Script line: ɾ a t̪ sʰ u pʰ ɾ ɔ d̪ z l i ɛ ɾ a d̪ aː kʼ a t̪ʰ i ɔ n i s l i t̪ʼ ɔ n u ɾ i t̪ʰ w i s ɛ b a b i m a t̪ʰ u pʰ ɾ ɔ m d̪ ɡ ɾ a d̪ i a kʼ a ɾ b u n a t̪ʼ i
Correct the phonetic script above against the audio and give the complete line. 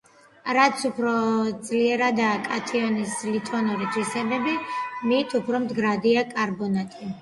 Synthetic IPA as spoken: ɾ a t̪ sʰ u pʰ ɾ ɔ d̪ z l i ɛ ɾ a d̪ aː kʼ a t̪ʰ i ɔ n i s l i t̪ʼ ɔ n u ɾ i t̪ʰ w i s ɛ b ɛ b i m i t̪ʰ u pʰ ɾ ɔ m d̪ ɡ ɾ a d̪ i a kʼ a ɾ b ɔ n a t̪ʼ i